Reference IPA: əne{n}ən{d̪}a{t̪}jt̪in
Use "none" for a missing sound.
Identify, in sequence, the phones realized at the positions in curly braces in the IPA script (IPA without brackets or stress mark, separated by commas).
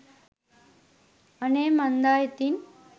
m, d̪, none